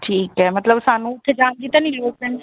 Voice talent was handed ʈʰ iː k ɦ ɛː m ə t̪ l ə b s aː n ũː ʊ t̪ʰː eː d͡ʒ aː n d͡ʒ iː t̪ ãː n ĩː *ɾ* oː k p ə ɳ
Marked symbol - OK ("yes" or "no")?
no